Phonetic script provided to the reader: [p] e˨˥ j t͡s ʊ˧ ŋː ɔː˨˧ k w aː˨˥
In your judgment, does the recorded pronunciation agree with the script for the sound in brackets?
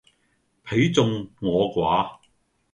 no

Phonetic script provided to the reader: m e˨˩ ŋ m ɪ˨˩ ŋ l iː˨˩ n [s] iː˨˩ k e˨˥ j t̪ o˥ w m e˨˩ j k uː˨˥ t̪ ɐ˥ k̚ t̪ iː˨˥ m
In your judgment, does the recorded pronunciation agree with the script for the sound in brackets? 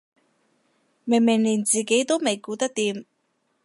no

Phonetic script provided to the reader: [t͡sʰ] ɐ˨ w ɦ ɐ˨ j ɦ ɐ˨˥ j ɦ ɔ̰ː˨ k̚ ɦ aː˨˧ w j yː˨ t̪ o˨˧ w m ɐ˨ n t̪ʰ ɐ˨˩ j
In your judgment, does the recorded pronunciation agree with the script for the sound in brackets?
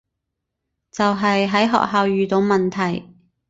no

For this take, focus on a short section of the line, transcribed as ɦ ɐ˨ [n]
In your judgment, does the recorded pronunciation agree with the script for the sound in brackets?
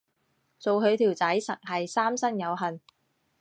yes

